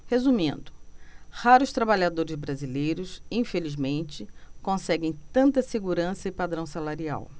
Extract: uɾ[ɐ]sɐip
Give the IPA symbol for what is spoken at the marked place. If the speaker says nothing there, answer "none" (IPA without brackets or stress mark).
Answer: ɐ̃